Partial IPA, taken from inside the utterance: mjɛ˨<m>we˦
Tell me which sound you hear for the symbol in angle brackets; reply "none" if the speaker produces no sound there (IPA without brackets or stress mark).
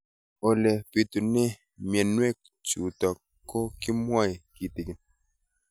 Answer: n